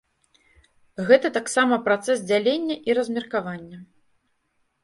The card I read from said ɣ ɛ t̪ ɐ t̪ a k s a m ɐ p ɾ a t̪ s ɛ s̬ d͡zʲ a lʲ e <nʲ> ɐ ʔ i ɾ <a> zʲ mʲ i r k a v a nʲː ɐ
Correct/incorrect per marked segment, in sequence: incorrect, incorrect

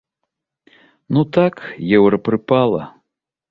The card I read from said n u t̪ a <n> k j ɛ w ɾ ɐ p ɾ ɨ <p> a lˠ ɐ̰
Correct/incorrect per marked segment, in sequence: incorrect, correct

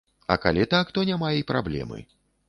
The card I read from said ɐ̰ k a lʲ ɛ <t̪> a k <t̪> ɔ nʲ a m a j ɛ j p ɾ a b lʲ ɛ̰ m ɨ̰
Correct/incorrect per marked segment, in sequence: correct, correct

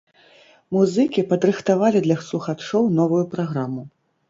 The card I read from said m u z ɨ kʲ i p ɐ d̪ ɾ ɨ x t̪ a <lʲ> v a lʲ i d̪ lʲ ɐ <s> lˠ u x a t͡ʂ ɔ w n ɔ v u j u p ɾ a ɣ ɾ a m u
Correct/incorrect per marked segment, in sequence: incorrect, correct

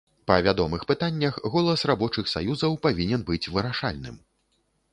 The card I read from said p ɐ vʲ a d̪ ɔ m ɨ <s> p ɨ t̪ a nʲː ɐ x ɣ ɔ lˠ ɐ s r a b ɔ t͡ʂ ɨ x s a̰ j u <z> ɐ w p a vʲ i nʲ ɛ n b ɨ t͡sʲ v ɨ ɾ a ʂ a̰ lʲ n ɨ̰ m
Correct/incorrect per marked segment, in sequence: incorrect, correct

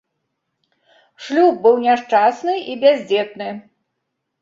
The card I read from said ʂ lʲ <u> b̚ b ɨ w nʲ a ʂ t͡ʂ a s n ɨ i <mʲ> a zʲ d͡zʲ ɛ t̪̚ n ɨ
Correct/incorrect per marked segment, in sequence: correct, incorrect

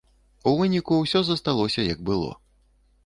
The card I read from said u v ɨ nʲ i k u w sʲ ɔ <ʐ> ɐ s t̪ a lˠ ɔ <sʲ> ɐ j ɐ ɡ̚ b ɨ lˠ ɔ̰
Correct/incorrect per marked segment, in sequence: incorrect, correct

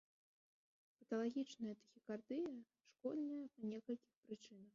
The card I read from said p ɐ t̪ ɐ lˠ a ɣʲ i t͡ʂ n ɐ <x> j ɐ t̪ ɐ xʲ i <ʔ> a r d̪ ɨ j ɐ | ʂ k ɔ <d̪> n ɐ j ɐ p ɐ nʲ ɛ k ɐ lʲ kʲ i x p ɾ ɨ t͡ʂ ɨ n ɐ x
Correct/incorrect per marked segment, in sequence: incorrect, incorrect, correct

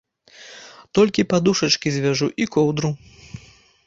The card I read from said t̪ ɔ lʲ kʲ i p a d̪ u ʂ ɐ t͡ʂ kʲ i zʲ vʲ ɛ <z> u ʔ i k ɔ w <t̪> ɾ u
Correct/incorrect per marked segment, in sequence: incorrect, incorrect

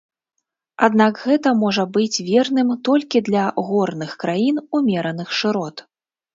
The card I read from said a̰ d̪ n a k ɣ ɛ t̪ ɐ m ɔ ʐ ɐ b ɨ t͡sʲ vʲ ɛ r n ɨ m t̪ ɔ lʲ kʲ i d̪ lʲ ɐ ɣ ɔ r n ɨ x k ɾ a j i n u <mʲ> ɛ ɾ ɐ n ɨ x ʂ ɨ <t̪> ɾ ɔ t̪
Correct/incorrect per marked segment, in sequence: correct, incorrect

